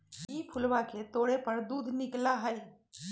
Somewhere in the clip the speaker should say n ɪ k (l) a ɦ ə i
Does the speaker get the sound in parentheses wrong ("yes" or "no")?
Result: no